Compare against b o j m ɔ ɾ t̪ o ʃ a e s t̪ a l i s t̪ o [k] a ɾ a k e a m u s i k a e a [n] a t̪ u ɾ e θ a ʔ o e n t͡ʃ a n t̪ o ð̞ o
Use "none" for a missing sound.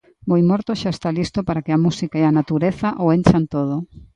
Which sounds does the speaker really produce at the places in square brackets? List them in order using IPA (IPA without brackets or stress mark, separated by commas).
p, n